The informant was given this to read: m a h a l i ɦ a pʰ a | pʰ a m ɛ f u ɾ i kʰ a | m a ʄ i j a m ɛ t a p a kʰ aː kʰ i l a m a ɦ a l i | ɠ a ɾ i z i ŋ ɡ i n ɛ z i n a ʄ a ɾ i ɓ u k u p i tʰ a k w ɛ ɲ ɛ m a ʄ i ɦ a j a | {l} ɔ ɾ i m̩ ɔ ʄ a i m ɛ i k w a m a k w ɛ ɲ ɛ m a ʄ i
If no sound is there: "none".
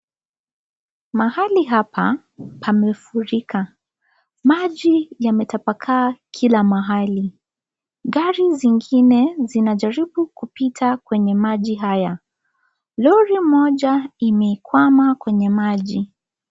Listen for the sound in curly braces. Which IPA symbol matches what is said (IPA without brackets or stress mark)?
l